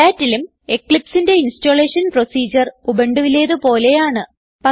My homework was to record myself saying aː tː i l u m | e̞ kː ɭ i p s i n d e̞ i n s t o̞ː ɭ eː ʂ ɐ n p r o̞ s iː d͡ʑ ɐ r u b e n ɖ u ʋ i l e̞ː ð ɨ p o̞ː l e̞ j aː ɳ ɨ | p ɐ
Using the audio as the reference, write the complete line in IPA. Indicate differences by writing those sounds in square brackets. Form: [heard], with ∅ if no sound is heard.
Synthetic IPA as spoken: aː tː i l u m | e̞ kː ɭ i p s i n d e̞ i n s t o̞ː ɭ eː ʂ ɐ n p r o̞ s iː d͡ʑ ɐ r u b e [ɳ] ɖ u ʋ i l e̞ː ð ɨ p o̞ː l e̞ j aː ɳ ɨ | p ɐ